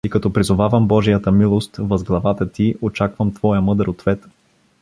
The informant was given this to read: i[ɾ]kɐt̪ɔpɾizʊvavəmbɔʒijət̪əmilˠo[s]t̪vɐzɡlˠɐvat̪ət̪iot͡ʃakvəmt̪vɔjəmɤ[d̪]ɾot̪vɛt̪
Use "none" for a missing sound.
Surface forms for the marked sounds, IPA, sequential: none, s, d̪

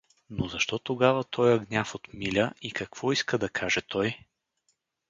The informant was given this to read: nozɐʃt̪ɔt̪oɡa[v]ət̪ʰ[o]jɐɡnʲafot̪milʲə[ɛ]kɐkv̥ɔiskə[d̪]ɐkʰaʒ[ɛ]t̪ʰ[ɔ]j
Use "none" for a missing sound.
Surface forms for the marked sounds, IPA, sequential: v, ɔ, i, d̪, ɛ, ɔ

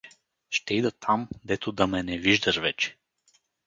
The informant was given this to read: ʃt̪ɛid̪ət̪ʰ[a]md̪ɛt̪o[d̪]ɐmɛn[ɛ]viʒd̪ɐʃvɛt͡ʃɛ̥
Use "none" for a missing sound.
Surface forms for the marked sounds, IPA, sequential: a, d̪, ɛ

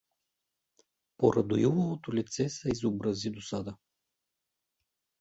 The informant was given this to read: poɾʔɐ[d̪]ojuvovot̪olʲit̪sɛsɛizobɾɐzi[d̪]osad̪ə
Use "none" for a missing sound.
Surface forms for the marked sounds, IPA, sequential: d̪, d̪

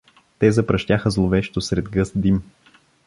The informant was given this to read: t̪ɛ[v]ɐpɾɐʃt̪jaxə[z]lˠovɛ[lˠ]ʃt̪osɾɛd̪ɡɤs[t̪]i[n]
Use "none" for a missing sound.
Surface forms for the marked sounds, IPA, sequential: z, z, none, d̪, m

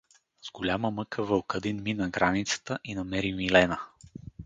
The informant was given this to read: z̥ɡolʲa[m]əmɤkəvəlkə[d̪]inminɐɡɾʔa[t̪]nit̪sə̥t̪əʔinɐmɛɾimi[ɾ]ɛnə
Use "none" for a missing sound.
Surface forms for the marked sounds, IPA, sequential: m, d̪, none, l

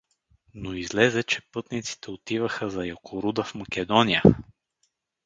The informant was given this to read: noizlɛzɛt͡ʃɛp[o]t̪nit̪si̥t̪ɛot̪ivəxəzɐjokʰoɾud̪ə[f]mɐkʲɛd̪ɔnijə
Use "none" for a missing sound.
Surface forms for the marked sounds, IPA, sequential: ɤ, f

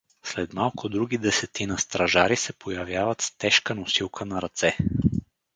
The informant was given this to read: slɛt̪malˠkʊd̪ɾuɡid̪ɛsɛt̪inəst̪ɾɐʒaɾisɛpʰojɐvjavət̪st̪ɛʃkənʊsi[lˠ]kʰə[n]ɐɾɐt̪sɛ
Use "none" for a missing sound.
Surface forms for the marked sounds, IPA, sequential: lˠ, n

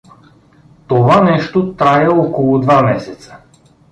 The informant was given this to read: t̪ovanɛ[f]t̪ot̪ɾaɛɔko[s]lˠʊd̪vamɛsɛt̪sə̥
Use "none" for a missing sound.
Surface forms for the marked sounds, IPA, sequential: ʃ, none

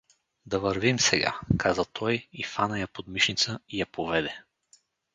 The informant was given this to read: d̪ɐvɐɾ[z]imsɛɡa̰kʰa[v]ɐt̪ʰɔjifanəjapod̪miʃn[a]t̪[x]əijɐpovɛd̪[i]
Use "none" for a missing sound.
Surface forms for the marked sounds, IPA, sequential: v, z, i, s, ɛ

